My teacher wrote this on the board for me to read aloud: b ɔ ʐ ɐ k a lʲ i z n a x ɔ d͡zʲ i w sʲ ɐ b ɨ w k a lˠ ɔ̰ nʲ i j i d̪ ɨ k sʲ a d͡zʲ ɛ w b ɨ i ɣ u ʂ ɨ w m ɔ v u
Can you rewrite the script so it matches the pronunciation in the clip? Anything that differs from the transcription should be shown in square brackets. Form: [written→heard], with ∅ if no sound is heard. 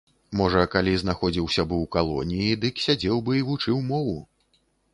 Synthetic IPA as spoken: [b→m] ɔ ʐ ɐ k a lʲ i z n a x ɔ d͡zʲ i w sʲ ɐ b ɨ w k a lˠ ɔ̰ nʲ i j i d̪ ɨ k sʲ a d͡zʲ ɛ w b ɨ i [ɣ→v] u [ʂ→t͡ʂ] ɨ w m ɔ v u

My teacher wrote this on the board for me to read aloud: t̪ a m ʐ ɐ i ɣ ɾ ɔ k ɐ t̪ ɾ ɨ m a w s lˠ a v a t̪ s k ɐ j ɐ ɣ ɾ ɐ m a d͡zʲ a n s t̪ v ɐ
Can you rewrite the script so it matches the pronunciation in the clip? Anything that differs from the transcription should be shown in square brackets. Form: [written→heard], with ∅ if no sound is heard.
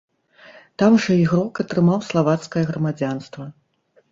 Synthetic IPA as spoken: t̪ a m ʐ ɐ i ɣ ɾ ɔ k ɐ t̪ ɾ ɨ m a w s lˠ a v a t̪ s k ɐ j ɐ ɣ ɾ ɐ m a d͡zʲ a n s t̪ v ɐ

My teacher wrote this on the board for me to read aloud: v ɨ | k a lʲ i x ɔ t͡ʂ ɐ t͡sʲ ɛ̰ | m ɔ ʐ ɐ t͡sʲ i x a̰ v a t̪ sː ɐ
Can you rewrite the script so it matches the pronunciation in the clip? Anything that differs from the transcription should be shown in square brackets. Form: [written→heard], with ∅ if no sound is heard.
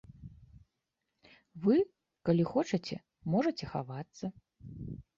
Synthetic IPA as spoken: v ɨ | k a lʲ i x ɔ t͡ʂ ɐ t͡sʲ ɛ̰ | m ɔ ʐ ɐ t͡sʲ [i→ɛ] x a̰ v a t̪ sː ɐ

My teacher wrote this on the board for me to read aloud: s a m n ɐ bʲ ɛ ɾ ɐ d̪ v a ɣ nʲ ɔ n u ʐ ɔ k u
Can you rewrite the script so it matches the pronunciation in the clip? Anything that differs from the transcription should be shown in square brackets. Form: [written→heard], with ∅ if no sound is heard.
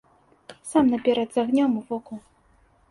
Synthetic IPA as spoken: s a m n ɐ [bʲ→pʲ] ɛ ɾ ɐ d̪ [v→z] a ɣ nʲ ɔ [n→m] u [ʐ→v] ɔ k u

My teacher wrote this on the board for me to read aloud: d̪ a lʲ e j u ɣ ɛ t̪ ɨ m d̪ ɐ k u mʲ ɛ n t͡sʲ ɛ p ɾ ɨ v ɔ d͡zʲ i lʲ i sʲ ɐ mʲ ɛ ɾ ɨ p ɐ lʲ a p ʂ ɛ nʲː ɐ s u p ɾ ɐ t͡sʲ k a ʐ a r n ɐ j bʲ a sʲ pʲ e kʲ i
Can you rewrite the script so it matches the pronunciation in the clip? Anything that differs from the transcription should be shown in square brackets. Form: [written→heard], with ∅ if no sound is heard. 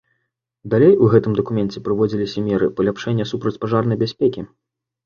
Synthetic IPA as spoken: d̪ a lʲ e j u ɣ ɛ t̪ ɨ m d̪ ɐ k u mʲ ɛ n t͡sʲ ɛ p ɾ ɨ v ɔ d͡zʲ i lʲ i sʲ ɐ mʲ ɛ ɾ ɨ p ɐ lʲ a p ʂ ɛ nʲː ɐ s u p ɾ ɐ t͡sʲ [k→p] a ʐ a r n ɐ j bʲ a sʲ pʲ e kʲ i

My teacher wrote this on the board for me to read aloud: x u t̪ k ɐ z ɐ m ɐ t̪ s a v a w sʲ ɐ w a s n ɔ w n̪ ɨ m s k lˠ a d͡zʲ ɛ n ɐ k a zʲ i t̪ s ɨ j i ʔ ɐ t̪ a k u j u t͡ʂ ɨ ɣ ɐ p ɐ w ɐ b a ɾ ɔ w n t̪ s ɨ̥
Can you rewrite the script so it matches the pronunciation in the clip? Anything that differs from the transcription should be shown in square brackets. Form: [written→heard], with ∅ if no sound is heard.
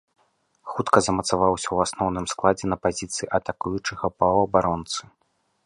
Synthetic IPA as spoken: x u t̪ k ɐ z ɐ m ɐ t̪ s a v a w sʲ ɐ w a s n ɔ w n̪ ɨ m s k lˠ a d͡zʲ ɛ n ɐ [k→p] a zʲ i t̪ s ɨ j i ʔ ɐ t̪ a k u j u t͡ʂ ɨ ɣ ɐ p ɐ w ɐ b a ɾ ɔ [w→∅] n t̪ s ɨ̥

